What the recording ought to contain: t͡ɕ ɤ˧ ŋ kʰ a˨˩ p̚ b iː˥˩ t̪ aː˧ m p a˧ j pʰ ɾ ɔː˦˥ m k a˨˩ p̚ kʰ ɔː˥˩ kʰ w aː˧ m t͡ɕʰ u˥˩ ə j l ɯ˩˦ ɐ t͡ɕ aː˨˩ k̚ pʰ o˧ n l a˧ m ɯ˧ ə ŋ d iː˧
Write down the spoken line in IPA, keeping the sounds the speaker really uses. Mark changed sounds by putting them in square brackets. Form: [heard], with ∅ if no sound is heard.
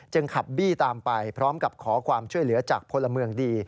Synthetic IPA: t͡ɕ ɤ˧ ŋ kʰ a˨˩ p̚ b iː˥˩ t̪ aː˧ m p a˧ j pʰ ɾ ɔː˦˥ m k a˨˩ p̚ kʰ [ɔː˩˦] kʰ w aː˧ m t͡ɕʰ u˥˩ ə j l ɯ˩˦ ɐ t͡ɕ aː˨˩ k̚ pʰ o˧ n l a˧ m ɯ˧ ə ŋ d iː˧